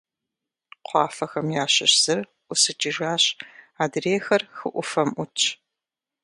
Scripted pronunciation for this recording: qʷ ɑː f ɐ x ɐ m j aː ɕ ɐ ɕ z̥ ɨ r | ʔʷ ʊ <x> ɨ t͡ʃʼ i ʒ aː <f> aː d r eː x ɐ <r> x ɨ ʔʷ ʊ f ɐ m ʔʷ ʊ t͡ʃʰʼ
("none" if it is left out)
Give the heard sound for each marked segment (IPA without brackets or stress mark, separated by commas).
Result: s, ɕ, r